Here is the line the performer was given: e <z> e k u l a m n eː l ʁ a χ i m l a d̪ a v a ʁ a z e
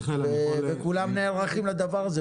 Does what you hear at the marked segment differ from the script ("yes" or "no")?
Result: yes